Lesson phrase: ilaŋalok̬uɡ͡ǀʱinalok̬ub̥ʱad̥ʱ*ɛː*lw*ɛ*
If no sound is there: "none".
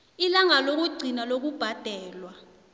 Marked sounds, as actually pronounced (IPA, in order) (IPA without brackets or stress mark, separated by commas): ɛː, a